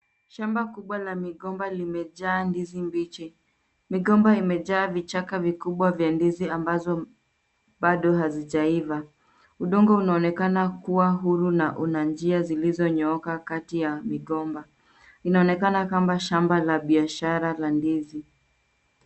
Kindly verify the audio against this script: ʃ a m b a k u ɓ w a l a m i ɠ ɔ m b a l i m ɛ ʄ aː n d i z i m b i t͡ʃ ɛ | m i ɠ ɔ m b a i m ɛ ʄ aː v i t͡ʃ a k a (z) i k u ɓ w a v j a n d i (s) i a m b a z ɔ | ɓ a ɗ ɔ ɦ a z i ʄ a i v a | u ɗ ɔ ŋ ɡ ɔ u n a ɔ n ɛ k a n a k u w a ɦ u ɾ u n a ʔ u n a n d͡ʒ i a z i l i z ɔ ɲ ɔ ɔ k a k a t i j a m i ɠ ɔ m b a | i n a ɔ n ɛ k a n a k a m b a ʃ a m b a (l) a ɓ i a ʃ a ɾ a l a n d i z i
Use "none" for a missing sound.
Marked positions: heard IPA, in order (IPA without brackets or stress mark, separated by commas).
v, z, l